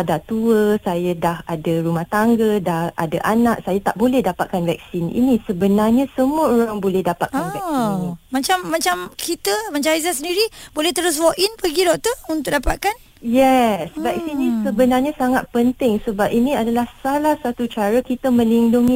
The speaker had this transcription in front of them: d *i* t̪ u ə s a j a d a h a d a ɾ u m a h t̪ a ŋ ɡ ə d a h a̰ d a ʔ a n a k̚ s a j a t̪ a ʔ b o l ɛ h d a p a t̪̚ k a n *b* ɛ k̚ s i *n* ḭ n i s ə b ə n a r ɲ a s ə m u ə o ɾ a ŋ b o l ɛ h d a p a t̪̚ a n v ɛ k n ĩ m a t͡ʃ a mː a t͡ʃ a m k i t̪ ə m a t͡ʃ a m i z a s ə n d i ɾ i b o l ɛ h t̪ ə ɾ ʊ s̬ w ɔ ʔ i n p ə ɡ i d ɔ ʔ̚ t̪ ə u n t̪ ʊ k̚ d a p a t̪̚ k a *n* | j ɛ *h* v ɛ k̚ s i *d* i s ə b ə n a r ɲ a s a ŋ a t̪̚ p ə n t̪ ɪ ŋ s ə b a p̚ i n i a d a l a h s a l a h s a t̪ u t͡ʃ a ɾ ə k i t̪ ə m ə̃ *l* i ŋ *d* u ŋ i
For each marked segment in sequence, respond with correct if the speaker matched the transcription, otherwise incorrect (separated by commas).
incorrect, incorrect, correct, correct, incorrect, incorrect, correct, correct